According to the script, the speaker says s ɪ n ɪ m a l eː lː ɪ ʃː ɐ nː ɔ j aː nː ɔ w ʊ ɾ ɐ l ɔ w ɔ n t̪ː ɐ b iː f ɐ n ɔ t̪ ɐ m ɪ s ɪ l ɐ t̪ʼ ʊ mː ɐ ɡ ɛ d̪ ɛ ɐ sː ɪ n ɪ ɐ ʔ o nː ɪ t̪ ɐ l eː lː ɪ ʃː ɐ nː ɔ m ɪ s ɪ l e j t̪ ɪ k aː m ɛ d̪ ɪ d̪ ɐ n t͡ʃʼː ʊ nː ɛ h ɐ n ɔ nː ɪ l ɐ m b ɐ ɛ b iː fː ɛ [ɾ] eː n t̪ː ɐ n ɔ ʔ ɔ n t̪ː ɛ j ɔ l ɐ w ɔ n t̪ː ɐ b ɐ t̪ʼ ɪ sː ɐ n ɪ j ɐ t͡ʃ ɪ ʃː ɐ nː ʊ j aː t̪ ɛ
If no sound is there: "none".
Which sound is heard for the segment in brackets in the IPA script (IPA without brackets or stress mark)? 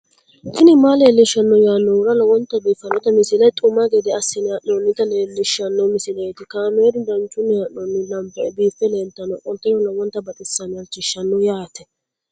l